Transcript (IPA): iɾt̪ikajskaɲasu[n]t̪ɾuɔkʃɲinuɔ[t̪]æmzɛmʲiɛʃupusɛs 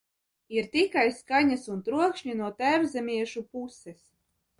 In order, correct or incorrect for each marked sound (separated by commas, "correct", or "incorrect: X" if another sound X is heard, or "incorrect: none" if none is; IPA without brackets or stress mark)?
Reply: correct, correct